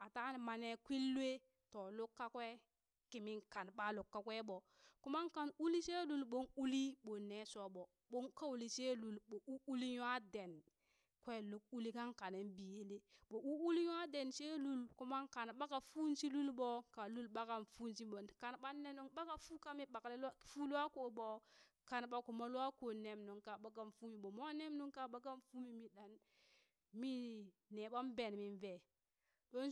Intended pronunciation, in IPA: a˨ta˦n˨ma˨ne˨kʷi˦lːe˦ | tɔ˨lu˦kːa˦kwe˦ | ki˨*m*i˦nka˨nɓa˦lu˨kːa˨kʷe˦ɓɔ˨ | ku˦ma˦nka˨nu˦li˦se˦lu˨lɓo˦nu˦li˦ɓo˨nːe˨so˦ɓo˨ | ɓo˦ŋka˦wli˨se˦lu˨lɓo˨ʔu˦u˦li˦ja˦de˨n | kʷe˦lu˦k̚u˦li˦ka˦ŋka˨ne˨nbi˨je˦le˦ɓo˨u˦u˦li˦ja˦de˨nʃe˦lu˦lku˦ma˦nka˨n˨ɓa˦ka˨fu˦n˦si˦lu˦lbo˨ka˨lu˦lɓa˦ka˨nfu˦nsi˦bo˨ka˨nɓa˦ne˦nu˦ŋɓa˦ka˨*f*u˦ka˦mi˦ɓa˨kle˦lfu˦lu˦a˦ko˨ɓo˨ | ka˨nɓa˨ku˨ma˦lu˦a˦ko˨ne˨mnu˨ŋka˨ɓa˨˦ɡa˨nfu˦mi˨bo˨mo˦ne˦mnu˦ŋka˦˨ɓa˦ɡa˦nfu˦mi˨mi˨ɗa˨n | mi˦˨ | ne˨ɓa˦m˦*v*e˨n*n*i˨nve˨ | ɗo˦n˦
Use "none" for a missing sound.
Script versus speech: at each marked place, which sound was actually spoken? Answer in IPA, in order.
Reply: m, f, b, m

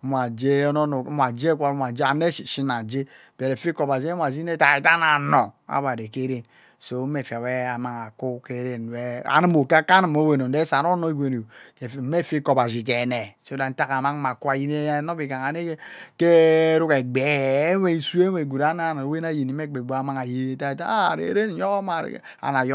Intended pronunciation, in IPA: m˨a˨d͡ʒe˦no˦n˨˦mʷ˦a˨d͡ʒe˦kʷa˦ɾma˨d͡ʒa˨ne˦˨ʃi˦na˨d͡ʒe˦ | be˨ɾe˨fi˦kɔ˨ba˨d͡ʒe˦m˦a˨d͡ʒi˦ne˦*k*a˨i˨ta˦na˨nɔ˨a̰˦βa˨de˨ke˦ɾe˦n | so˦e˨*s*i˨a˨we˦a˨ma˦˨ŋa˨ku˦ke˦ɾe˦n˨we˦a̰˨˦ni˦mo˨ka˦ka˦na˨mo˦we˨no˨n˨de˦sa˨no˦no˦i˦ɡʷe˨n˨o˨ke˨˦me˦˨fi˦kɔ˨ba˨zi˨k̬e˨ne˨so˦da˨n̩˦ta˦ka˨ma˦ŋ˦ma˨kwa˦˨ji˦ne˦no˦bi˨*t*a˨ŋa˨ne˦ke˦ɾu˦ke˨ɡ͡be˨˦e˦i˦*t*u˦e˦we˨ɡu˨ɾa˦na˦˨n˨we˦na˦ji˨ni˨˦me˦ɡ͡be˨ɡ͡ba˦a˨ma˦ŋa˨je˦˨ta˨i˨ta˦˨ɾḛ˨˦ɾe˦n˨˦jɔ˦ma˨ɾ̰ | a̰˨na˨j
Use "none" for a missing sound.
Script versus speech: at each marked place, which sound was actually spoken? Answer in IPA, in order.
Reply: t, f, k, s

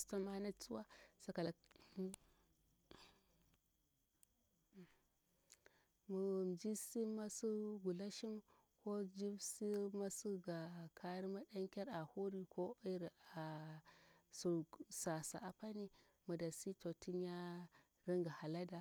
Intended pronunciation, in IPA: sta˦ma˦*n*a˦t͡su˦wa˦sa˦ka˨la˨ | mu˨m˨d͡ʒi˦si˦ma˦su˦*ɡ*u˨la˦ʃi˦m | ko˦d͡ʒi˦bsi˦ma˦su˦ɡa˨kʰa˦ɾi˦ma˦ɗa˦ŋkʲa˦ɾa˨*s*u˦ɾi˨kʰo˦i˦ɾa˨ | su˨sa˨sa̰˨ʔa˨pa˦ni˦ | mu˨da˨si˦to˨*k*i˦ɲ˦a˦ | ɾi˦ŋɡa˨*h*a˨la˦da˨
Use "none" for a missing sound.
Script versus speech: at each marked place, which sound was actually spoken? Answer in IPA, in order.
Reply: n, ɡ, h, t, h

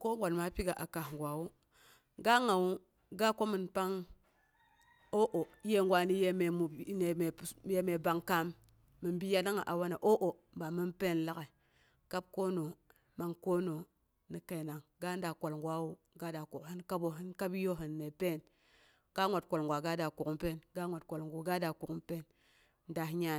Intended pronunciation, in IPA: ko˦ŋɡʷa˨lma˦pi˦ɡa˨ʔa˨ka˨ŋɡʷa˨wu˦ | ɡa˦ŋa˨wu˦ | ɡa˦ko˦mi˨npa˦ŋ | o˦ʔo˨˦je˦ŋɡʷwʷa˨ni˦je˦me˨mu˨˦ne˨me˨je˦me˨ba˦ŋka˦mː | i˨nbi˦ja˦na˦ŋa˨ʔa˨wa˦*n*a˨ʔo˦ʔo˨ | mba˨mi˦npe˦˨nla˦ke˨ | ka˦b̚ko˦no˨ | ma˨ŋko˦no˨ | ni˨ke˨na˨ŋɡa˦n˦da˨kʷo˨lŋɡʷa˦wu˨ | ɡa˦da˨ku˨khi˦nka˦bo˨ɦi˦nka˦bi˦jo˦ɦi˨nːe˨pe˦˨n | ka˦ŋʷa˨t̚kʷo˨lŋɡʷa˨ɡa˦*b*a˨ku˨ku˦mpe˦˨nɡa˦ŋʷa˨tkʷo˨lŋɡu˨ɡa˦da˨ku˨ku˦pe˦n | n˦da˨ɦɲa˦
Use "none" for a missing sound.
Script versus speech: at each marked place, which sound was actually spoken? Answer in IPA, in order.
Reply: n, d

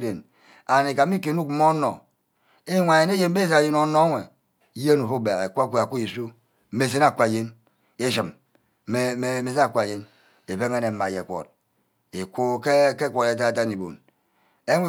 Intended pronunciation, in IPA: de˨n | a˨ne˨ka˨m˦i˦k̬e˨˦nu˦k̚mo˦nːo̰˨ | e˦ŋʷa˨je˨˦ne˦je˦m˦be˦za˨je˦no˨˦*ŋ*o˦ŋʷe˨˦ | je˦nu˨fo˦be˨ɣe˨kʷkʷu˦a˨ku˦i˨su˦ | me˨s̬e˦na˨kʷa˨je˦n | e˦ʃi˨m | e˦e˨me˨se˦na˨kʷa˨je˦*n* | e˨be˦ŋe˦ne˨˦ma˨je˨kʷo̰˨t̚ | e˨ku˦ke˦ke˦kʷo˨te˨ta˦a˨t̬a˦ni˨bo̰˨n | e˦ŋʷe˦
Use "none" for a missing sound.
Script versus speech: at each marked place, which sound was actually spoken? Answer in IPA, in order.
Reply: n, n

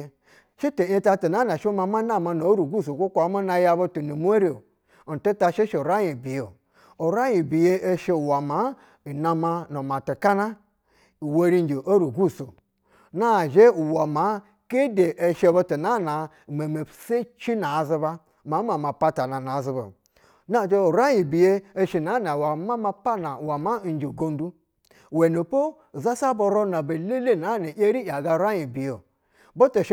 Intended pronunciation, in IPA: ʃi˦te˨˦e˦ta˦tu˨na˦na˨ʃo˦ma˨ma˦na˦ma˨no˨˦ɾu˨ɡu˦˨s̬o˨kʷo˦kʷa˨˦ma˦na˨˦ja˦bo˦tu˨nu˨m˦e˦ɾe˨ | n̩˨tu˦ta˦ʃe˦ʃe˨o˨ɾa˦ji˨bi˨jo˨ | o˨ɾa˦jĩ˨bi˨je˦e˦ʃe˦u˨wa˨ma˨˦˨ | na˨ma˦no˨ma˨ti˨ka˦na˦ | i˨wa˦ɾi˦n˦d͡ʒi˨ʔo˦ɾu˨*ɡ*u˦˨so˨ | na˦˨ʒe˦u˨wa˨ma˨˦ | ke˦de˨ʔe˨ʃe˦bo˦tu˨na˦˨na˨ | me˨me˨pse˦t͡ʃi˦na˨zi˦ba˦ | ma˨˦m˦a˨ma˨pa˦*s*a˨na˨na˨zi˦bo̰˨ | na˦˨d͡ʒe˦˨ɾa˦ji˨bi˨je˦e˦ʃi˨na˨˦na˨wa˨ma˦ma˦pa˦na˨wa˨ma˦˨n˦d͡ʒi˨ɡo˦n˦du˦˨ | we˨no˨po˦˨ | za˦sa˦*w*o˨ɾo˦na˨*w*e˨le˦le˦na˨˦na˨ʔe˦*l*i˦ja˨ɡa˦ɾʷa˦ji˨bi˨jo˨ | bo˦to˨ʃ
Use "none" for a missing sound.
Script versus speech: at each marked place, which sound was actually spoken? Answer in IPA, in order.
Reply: ɡ, t, b, b, ɾ

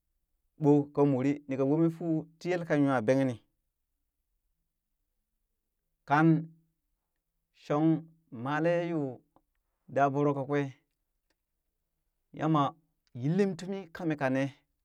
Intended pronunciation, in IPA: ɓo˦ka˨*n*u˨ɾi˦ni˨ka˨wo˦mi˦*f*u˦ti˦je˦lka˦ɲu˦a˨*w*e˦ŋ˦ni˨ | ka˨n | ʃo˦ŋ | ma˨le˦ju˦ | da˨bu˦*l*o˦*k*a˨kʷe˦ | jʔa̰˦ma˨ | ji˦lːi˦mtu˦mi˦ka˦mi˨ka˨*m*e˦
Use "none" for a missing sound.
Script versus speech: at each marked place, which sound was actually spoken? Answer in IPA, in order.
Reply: m, f, b, ɾ, k, n

